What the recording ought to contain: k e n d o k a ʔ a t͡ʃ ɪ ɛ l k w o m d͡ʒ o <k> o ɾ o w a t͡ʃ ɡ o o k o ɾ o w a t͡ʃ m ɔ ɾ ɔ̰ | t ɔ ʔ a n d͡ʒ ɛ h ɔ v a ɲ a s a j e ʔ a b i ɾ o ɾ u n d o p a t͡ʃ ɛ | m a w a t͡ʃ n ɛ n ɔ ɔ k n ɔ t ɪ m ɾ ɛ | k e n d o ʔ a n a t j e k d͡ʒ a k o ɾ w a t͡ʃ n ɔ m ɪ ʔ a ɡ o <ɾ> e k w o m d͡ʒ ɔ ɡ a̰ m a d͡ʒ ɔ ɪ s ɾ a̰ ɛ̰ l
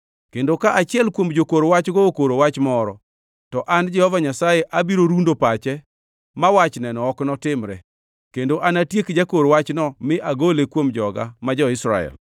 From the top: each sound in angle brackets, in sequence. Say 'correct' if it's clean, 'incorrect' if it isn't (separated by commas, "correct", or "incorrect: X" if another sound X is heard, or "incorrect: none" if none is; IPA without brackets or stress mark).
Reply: correct, incorrect: l